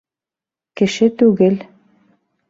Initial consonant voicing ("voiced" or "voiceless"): voiceless